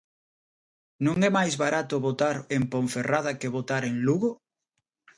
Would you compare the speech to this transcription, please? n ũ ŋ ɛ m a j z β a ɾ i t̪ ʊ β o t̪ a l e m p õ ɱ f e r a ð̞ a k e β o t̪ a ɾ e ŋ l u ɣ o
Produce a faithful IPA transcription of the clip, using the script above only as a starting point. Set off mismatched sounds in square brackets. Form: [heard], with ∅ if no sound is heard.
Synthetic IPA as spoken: n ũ ŋ ɛ m a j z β a ɾ [a] t̪ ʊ β o t̪ a [ɾ] e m p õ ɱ f e r a ð̞ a k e β o t̪ a ɾ e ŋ l u ɣ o